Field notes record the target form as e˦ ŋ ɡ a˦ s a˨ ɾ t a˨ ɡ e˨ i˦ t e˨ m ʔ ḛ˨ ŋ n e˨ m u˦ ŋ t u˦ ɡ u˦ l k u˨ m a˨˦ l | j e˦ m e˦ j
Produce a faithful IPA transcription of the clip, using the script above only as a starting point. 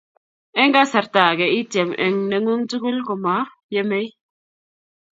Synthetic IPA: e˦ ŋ ɡ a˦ s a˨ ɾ t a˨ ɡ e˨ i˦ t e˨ m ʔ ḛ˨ ŋ n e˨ ŋ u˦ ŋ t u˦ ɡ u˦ l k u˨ m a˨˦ | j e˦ m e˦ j

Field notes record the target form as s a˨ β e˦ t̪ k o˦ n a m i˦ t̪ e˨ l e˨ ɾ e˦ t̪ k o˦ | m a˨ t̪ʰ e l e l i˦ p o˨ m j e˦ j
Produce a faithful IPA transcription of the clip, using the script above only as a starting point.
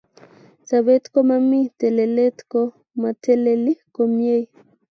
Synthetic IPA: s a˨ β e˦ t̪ k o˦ m a m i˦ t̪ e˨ l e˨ l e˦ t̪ k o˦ | m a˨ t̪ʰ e l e l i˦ k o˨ m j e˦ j

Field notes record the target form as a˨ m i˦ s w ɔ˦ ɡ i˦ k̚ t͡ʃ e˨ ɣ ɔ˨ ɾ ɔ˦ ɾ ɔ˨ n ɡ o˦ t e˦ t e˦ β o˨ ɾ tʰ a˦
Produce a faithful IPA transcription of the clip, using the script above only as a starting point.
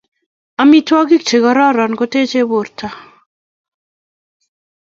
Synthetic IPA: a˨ m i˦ t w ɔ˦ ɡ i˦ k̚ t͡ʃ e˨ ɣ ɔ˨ ɾ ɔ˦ ɾ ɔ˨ n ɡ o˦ t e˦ t͡ʃ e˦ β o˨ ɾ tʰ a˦

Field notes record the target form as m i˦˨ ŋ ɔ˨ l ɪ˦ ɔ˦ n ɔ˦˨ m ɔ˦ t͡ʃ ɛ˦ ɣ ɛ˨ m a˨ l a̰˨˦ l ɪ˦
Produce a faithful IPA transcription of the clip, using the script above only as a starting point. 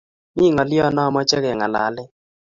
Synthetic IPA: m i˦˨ ŋ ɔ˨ l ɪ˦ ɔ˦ n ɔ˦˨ m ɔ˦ t͡ʃ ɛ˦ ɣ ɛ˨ ŋ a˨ l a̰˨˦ l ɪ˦

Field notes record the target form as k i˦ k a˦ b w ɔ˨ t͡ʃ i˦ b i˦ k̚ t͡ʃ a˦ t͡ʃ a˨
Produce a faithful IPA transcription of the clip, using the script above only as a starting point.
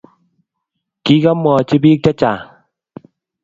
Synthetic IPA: k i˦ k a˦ m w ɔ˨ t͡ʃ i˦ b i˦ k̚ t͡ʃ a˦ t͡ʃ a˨

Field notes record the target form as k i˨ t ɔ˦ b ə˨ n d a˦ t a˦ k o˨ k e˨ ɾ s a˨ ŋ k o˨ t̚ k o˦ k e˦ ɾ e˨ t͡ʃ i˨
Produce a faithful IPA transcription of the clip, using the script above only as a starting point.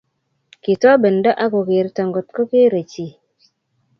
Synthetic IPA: k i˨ t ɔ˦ b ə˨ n d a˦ ʔ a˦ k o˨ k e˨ ɾ t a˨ ŋ ɡ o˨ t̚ k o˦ k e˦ ɾ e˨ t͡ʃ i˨

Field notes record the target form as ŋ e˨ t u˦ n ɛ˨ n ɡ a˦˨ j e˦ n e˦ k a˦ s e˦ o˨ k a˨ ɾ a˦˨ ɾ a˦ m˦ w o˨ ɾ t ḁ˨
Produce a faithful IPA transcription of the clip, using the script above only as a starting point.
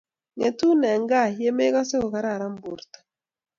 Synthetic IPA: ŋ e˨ t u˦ n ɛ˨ ŋ ɡ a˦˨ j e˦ m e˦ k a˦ s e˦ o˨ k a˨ ɾ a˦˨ ɾ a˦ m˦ b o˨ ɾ t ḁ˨

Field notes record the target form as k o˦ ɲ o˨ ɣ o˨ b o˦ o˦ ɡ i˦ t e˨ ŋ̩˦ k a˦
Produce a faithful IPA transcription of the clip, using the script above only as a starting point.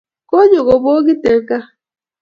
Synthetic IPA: k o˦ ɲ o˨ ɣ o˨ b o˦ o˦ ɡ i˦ t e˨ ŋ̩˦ k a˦

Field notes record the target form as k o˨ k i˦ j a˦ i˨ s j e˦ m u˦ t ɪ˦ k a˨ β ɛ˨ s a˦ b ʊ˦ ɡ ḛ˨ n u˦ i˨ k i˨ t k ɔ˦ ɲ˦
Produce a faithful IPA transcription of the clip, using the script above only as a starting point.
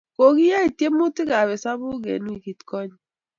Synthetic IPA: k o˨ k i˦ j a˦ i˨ t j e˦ m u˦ t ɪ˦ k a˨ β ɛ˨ s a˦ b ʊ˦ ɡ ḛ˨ n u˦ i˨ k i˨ t k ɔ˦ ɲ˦

